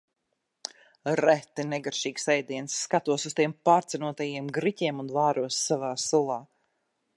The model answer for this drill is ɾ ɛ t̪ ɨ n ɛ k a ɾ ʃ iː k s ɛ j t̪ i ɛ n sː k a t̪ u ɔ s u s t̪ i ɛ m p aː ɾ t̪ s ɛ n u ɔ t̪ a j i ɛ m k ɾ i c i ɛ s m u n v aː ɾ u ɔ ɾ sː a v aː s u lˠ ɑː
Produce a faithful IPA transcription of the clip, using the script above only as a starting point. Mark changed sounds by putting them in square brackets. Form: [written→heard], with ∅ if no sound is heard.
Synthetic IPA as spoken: ɾ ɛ t̪ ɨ n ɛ [k→ɡ] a ɾ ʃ iː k s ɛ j [t̪→d̪] i ɛ n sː k a t̪ u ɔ s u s t̪ i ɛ m p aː ɾ t̪ s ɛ n u ɔ t̪ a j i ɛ m [k→ɡ] ɾ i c i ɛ [s→∅] m u n v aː ɾ u ɔ [ɾ→∅] sː a v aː s u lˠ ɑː